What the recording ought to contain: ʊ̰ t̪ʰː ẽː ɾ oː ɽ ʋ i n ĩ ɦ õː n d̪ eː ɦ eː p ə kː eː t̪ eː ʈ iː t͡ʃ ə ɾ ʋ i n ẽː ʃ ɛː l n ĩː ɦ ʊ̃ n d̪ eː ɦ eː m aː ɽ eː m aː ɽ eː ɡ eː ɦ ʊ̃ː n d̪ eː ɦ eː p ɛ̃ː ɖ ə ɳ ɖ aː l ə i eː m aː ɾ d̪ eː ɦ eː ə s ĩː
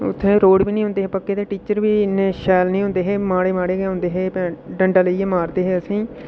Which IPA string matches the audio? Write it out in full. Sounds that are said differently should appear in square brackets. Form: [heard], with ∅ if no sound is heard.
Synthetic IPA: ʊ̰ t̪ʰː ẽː ɾ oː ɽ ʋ [iː] n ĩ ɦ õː n d̪ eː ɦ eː p ə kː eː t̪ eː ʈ iː t͡ʃ ə ɾ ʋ [iː] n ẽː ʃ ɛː l n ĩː ɦ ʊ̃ n d̪ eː ɦ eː m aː ɽ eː m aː ɽ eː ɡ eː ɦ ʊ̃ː n d̪ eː ɦ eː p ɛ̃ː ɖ ə ɳ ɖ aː l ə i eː m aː ɾ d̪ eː ɦ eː ə s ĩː